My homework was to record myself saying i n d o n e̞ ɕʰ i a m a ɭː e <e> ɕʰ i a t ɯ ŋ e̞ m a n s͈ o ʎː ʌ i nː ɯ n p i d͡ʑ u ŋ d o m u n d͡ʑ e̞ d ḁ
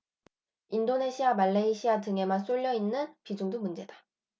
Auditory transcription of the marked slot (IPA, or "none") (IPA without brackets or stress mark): i